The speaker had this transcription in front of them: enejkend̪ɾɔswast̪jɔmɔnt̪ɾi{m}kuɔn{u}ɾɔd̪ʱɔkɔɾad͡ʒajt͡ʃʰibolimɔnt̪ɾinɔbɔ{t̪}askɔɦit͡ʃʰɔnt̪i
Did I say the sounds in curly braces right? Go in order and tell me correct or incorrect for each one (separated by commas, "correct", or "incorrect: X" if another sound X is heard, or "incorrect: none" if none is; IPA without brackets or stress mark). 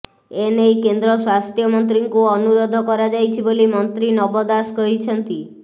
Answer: incorrect: ŋ, correct, incorrect: d̪